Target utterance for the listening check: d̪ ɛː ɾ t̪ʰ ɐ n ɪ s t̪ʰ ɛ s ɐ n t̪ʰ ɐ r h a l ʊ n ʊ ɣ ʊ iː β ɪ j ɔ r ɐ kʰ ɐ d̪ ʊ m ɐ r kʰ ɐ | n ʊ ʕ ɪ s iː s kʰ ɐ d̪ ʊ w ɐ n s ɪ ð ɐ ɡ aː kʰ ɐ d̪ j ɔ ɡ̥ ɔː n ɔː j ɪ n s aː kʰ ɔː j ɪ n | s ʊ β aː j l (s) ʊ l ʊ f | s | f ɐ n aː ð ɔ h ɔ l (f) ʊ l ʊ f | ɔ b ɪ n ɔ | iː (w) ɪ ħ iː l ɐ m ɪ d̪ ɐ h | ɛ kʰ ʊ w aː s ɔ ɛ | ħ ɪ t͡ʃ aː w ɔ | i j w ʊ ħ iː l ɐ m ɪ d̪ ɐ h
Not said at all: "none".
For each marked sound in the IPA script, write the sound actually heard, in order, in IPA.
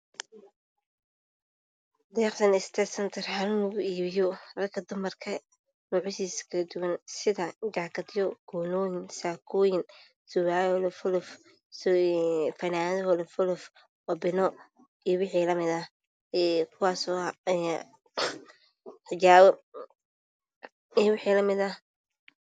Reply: f, f, w

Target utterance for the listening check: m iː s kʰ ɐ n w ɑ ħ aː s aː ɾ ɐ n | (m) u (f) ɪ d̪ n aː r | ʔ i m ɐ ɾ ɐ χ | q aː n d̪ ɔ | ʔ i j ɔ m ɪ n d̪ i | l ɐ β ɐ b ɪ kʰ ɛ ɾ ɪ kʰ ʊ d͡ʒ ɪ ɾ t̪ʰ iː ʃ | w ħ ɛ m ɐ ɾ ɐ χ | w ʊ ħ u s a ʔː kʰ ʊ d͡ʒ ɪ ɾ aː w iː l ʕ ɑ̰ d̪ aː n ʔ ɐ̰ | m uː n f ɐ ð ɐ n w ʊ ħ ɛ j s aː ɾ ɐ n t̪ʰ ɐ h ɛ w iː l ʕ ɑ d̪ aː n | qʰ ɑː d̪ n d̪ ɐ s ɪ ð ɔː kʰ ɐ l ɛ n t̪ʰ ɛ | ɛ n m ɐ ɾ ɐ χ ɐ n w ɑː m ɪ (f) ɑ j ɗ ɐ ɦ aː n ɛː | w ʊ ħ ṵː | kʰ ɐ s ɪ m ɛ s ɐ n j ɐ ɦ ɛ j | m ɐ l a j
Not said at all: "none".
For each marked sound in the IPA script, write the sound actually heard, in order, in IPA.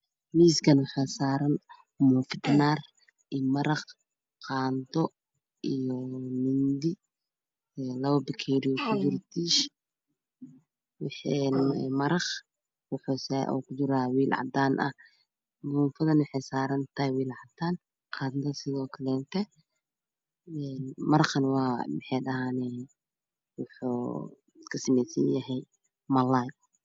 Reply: m, f, ħ

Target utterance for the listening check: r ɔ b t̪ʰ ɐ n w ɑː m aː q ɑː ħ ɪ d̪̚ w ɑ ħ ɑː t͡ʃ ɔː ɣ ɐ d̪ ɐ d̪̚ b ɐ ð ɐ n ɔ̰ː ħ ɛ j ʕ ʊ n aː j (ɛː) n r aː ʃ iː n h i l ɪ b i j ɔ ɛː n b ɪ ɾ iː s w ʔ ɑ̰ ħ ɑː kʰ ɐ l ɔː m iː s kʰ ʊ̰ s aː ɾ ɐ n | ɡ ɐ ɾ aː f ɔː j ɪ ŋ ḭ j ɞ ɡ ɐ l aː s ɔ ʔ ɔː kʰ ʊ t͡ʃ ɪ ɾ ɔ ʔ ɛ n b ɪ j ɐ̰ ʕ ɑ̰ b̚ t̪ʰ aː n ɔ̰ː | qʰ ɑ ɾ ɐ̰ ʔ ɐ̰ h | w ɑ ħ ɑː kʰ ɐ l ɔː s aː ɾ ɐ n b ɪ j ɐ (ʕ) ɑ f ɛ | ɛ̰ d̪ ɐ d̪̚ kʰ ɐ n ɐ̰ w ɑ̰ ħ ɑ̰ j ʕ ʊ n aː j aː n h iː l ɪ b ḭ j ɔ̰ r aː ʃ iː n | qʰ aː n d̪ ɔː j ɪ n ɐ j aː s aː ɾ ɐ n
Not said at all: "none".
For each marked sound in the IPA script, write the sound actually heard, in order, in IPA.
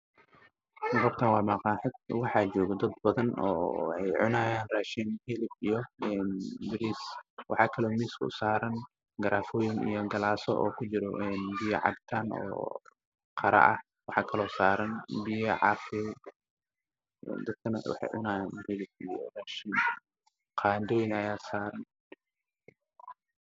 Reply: aː, ʕ

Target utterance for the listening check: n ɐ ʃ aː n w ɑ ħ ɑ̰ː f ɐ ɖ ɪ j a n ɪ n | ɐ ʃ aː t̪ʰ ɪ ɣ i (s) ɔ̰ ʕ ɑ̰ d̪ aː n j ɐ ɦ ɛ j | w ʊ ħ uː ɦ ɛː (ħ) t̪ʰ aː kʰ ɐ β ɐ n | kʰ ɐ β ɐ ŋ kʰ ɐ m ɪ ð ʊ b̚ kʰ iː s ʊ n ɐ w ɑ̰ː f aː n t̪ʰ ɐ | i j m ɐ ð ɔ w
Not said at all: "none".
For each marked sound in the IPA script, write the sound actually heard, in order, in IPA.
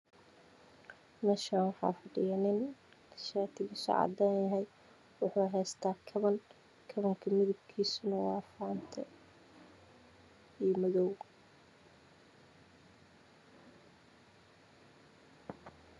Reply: s, s

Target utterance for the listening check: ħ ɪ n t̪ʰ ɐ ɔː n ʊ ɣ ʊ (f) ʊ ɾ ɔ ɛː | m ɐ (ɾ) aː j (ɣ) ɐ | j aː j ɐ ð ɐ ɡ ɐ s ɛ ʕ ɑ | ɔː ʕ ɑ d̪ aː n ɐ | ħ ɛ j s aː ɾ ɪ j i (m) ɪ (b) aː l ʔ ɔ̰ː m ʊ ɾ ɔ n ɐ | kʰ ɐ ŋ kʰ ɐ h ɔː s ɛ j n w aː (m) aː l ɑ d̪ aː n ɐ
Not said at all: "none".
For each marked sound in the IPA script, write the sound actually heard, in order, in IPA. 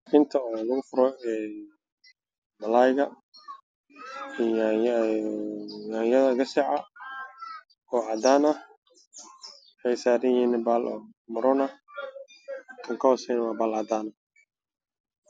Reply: f, l, ɣ, n, b, b

